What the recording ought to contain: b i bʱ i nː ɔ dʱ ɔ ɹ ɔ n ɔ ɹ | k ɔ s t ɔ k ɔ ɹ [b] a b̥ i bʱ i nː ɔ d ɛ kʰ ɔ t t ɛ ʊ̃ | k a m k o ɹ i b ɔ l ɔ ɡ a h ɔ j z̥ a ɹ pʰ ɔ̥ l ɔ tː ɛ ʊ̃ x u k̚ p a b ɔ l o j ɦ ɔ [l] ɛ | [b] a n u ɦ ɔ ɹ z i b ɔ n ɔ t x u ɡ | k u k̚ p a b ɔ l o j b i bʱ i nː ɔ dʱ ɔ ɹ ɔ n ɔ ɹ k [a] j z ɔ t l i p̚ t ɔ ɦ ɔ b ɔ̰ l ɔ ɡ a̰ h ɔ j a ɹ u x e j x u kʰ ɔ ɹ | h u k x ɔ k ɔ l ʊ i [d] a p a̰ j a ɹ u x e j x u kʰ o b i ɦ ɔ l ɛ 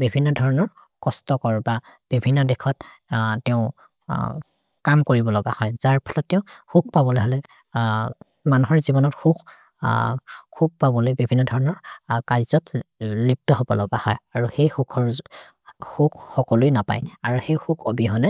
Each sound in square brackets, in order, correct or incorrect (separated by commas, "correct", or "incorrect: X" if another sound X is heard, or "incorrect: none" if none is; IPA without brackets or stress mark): correct, correct, incorrect: m, correct, incorrect: n